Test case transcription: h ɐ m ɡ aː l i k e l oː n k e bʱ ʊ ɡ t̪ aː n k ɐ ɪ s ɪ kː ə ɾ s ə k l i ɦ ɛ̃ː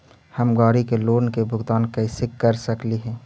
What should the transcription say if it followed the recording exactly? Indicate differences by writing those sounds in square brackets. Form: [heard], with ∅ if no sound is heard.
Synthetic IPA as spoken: h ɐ m ɡ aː [ɾ] i k e l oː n k e bʱ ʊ ɡ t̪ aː n k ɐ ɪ s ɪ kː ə ɾ s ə k l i ɦ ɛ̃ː